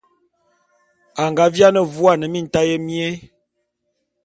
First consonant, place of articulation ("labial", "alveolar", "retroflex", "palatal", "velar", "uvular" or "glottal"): velar